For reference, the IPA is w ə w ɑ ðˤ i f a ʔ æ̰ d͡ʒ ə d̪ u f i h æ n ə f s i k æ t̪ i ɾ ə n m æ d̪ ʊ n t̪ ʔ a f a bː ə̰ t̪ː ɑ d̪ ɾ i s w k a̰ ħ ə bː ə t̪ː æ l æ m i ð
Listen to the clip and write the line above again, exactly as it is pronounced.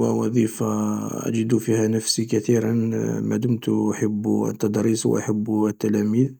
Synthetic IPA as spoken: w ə w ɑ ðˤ i f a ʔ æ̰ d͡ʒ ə d̪ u f i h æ n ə f s i k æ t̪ i ɾ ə n m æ d̪ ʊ m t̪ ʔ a ħ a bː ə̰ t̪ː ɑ d̪ ɾ i s w ʔ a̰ ħ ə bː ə t̪ː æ l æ m i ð